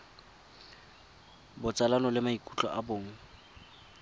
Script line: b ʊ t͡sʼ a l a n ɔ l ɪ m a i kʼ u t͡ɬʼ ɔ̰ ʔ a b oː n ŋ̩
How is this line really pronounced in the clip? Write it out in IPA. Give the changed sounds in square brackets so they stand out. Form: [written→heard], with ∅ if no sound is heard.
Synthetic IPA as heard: b ʊ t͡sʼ a l a n ɔ l ɪ m a i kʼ u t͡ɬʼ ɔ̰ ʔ a b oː [n→∅] ŋ̩